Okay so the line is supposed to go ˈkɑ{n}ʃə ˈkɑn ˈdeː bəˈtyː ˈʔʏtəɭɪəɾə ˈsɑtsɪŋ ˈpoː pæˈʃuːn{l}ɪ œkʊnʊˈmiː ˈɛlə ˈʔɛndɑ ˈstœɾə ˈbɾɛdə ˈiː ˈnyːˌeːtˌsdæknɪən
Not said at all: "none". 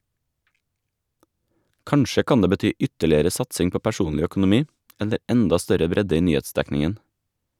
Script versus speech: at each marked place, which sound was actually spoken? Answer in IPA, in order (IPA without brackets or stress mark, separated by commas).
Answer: ɳ, l